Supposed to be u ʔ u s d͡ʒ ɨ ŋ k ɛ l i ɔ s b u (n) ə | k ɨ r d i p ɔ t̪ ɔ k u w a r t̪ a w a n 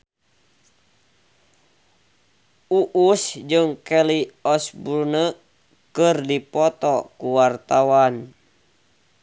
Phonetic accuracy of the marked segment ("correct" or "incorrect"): correct